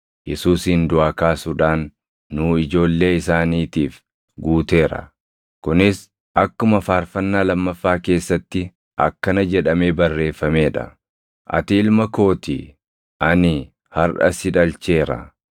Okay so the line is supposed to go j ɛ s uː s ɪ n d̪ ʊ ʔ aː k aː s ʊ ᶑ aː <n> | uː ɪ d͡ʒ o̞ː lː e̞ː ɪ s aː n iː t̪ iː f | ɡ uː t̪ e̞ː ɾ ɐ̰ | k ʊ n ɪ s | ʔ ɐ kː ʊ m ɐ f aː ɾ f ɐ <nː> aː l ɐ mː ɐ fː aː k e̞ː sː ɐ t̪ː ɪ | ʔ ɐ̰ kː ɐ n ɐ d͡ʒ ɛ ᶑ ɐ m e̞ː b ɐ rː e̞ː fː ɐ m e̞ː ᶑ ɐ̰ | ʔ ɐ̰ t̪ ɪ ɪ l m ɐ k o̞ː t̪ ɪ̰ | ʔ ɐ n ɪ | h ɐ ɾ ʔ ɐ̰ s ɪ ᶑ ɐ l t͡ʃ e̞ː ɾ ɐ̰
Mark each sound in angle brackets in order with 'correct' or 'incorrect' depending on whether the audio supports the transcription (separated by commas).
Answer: incorrect, correct